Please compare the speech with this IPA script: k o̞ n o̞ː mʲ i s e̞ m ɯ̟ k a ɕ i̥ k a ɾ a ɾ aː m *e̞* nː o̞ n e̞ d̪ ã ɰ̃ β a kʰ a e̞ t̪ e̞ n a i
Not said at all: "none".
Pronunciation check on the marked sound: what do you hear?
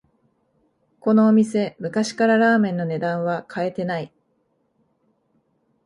ẽ̞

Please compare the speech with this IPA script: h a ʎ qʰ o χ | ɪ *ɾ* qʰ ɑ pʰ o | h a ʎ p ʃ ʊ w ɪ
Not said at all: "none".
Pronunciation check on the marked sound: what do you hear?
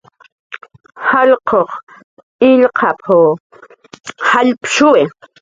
ʎ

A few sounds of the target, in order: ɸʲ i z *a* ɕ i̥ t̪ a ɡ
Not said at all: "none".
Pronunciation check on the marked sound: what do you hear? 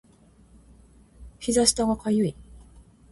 a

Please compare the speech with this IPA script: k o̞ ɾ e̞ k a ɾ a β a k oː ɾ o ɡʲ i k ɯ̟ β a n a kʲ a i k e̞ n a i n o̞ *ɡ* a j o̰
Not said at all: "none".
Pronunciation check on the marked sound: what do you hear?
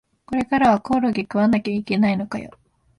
k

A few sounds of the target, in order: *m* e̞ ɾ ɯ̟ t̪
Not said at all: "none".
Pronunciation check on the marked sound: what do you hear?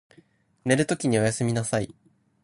n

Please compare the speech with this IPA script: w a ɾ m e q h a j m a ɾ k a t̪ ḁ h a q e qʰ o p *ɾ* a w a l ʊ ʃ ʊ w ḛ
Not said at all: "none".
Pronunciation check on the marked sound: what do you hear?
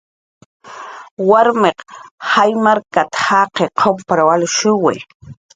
ɾ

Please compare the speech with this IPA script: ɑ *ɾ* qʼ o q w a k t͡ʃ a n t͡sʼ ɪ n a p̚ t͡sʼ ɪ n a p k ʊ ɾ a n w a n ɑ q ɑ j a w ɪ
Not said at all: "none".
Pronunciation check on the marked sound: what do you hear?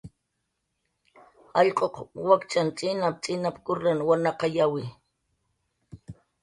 ʎ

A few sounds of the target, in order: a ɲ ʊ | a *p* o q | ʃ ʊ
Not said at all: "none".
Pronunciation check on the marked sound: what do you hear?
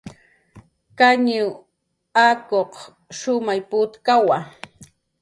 k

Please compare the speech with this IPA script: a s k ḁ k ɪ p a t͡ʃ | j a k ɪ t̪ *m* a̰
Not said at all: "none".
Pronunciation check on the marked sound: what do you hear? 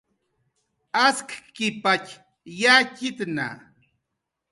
n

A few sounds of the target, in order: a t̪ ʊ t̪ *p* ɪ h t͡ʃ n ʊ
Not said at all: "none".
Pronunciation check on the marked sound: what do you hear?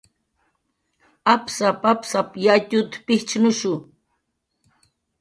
p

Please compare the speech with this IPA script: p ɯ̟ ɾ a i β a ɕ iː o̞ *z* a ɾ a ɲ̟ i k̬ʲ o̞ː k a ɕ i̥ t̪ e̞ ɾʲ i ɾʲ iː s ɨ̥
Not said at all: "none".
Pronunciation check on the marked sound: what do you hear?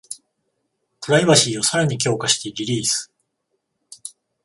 s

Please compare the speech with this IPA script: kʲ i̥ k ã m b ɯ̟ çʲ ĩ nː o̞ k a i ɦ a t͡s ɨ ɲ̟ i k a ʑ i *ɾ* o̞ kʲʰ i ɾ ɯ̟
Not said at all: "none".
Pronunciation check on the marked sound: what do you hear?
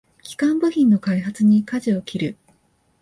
none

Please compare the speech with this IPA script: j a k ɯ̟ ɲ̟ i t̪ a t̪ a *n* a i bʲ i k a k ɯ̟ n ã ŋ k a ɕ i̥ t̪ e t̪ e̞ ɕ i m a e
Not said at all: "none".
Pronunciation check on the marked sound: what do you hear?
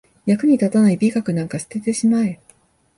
n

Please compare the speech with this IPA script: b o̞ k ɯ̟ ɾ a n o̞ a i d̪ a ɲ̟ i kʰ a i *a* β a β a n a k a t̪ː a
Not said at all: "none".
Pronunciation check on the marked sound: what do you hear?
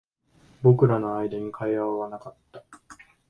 a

